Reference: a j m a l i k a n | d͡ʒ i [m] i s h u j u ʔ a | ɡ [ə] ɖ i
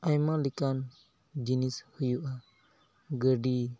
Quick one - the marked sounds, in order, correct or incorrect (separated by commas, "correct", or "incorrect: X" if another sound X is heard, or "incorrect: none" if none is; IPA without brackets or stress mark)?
incorrect: n, correct